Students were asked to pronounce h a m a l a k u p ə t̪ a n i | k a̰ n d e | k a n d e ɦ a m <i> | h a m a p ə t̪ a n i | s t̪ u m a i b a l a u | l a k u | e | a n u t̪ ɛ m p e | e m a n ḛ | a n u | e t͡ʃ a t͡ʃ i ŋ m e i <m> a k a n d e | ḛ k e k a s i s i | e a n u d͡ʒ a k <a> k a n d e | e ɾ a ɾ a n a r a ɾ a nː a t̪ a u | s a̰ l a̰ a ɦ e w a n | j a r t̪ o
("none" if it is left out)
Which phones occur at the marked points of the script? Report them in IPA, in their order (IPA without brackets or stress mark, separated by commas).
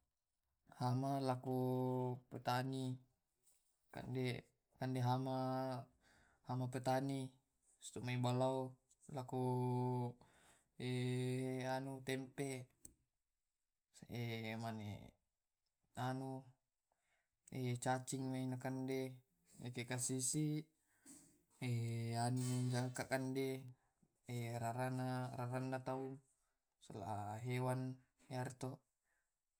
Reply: a, n, a